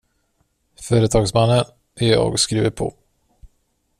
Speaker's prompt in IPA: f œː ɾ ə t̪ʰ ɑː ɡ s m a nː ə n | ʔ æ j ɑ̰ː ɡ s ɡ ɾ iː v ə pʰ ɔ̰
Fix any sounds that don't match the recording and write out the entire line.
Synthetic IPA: f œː ɾ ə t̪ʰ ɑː ɡ s m a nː ə n | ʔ æ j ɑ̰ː ɡ s k ɾ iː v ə pʰ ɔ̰

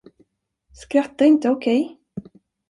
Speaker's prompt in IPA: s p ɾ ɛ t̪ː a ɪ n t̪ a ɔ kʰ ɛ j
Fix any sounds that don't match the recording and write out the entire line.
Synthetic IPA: s k ɾ a t̪ː a ɪ n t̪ ə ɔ kʰ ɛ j

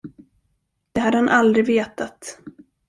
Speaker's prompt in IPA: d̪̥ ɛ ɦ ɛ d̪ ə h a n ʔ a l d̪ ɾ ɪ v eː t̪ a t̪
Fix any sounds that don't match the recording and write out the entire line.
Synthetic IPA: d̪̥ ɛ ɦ a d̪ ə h a n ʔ a l d̪ ɾ ɪ v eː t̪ a t̪

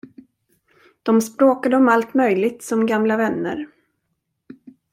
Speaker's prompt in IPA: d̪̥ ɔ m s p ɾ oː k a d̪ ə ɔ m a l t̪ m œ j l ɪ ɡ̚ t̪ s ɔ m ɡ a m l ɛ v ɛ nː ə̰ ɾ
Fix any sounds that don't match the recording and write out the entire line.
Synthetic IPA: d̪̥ ɔ m s p ɾ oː k a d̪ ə ɔ m a l t̪ m œ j l ɪ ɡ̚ t̪ s ɔ m ɡ a m l a v ɛ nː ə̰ ɾ

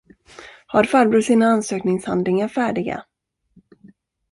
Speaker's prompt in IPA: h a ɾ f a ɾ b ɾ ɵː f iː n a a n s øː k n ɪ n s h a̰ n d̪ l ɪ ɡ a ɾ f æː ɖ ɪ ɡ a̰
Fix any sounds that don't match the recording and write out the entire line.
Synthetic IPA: h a ɾ f a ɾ b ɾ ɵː s iː n a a n s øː k n ɪ ŋ s h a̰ n d̪ l ɪ ŋ a ɾ f æː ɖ ɪ ɡ a̰

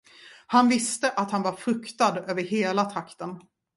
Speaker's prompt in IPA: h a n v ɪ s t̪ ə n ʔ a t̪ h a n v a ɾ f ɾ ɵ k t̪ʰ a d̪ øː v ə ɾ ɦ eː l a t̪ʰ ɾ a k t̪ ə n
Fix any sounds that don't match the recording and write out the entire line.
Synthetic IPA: h a n v ɪ s t̪ ə ʔ a t̪ h a n v a ɾ f ɾ ɵ k t̪ a d̪ øː v ə ɾ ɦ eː l a t̪ʰ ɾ a k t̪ ə n

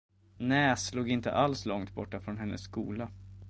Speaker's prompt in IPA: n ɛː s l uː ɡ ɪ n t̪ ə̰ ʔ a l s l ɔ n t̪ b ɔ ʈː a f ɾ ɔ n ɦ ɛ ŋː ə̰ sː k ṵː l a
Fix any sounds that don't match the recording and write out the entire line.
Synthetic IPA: n ɛː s l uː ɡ ɪ n t̪ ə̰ ʔ a l s l ɔ ŋ t̪ b ɔ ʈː a f ɾ ɔ n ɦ ɛ nː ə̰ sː k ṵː l a

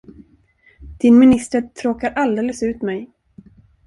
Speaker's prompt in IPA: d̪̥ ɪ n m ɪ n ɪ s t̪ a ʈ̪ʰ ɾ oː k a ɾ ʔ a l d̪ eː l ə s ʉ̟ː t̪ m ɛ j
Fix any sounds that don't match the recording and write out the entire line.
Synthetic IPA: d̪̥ ɪ n m ɪ n ɪ s t̪ ə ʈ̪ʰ ɾ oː k a ɾ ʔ a l d̪ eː l ə s ʉ̟ː t̪ m ɛ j

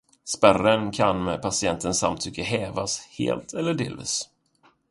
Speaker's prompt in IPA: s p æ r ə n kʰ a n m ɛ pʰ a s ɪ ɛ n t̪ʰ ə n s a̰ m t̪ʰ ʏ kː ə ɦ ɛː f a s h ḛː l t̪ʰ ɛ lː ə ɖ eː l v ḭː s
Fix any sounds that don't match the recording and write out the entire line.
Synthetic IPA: s p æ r ə n kʰ a n m ɛ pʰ a s ɪ ɛ n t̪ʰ ə n s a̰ m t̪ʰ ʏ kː ə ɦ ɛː v a s h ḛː l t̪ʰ ɛ lː ə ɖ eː l v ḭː s

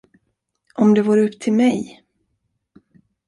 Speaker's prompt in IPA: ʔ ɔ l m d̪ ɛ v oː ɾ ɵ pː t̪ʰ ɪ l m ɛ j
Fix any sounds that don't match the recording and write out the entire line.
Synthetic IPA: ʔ ɔ m d̪ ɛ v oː ɾ ɵ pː t̪ʰ ɪ l m ɛ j

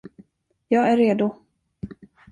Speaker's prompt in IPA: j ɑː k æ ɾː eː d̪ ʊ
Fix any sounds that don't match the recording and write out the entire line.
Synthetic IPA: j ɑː ɡ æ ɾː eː d̪ ʊ

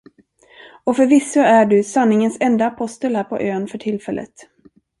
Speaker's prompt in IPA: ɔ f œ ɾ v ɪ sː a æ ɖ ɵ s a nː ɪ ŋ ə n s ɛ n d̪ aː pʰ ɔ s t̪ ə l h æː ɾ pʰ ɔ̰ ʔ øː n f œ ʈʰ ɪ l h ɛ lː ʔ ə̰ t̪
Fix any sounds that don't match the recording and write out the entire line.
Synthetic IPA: ɔ f œ ɾ v ɪ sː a æ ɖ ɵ s a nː ɪ ŋ ə n s ɛ n d̪ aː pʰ ɔ s t̪ ə l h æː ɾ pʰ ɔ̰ ʔ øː n f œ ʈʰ ɪ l f ɛ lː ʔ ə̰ t̪

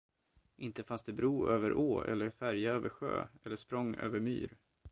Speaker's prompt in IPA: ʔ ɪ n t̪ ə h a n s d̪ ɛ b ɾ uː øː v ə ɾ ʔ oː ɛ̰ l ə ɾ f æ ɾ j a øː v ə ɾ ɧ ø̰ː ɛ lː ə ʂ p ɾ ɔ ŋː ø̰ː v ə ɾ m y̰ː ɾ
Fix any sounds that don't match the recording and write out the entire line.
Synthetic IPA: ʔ ɪ n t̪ ə f a n s d̪ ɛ b ɾ uː øː v ə ɾ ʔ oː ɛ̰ lː ə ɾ f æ ɾ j a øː v ə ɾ ɧ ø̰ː ɛ lː ə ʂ p ɾ ɔ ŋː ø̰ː v ə ɾ m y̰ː ɾ

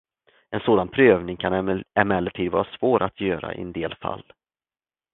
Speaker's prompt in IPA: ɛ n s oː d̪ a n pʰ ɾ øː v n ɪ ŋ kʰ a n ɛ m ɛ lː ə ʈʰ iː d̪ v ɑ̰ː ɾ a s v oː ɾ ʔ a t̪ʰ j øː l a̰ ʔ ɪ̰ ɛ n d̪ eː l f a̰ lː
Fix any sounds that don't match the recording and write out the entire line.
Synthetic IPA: ɛ n s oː d̪ a n pʰ ɾ øː v n ɪ ŋ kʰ a n ɛ m ɛ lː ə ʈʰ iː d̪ v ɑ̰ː ɾ a s v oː ɾ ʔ a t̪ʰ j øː ɾ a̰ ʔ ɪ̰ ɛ n d̪ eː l f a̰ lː

